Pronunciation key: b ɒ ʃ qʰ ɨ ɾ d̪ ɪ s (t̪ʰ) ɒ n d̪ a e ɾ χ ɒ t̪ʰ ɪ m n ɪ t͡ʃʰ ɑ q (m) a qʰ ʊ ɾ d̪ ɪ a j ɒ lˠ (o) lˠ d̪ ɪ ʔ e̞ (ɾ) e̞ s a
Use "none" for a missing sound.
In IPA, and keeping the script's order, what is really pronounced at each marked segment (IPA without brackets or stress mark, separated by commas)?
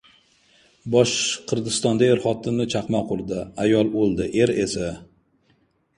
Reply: t̪, m, o, ɾ